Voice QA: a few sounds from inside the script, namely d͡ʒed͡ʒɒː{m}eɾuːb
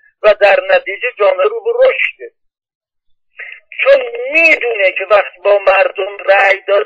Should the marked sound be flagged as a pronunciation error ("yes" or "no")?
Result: no